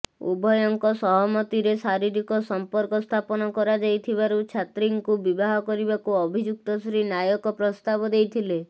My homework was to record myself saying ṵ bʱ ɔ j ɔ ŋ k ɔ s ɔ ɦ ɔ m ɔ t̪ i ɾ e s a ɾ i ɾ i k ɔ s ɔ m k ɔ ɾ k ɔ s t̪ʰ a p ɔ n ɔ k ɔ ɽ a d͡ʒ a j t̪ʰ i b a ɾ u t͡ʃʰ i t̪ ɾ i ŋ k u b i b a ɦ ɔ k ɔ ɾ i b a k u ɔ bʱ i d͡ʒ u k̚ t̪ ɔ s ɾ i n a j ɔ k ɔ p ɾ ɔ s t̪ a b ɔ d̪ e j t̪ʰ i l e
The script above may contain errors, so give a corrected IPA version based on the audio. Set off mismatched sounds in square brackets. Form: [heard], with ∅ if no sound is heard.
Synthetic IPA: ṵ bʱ ɔ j ɔ ŋ k ɔ s ɔ ɦ ɔ m ɔ t̪ i ɾ e s a ɾ i ɾ i k ɔ s ɔ m [p] ɔ ɾ k ɔ s t̪ʰ a p ɔ n ɔ k ɔ [ɾ] a d͡ʒ a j t̪ʰ i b a ɾ u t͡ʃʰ [a] t̪ ɾ i ŋ k u b i b a ɦ ɔ k ɔ ɾ i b a k u ɔ bʱ i d͡ʒ u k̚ t̪ ɔ s ɾ i n a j ɔ k ɔ p ɾ ɔ s t̪ a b ɔ d̪ e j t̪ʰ i l e

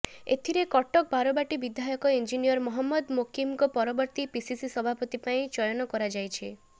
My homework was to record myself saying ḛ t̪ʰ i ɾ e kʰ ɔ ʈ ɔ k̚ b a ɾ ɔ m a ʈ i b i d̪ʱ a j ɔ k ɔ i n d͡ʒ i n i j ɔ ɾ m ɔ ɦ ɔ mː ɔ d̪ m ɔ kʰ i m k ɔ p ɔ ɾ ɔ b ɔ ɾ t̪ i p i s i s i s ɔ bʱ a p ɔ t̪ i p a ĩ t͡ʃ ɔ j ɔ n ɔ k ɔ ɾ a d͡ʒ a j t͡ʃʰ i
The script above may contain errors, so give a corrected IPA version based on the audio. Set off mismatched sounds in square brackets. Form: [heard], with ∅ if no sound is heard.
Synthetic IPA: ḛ t̪ʰ i ɾ e [k] ɔ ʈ ɔ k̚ b a ɾ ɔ [b] a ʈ i b i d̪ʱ a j ɔ k ɔ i n d͡ʒ i n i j ɔ ɾ m ɔ ɦ ɔ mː ɔ d̪ m [o] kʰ i m k ɔ p ɔ ɾ ɔ b ɔ ɾ t̪ i p i s i s i s ɔ bʱ a p ɔ t̪ i p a ĩ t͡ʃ ɔ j ɔ n ɔ k ɔ ɾ a d͡ʒ a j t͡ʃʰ i

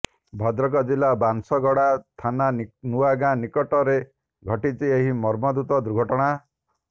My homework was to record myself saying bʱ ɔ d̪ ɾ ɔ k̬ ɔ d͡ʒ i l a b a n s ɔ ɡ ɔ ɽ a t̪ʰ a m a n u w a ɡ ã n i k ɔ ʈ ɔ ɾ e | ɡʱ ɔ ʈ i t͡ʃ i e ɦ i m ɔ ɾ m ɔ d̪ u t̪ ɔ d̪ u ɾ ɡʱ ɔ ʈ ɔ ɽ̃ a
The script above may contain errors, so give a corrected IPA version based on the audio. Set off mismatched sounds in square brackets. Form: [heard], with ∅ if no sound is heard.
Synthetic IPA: bʱ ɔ d̪ ɾ ɔ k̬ ɔ d͡ʒ i l a b a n s ɔ ɡ ɔ ɽ a t̪ʰ a [n] a n u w a ɡ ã n i k ɔ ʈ ɔ ɾ e | ɡʱ ɔ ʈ i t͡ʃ i e ɦ i m ɔ ɾ m ɔ d̪ u t̪ ɔ d̪ u ɾ ɡʱ ɔ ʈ ɔ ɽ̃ a

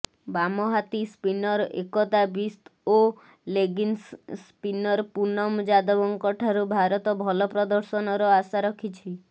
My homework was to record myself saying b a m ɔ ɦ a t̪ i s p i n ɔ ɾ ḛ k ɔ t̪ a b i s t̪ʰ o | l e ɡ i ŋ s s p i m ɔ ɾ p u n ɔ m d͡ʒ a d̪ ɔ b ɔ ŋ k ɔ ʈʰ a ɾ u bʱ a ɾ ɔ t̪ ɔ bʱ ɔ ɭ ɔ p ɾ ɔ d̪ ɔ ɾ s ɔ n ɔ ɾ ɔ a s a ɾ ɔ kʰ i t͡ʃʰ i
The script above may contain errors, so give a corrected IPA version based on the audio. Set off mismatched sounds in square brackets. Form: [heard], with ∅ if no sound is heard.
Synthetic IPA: b a m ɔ ɦ a t̪ i s p i n ɔ ɾ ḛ k ɔ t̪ a b i s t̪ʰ o | l e ɡ i [n] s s p i [n] ɔ ɾ p u n ɔ m d͡ʒ a d̪ ɔ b ɔ ŋ k ɔ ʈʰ a ɾ u bʱ a ɾ ɔ t̪ ɔ bʱ ɔ [l] ɔ p ɾ ɔ d̪ ɔ ɾ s ɔ n ɔ ɾ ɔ a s a ɾ ɔ kʰ i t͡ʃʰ i

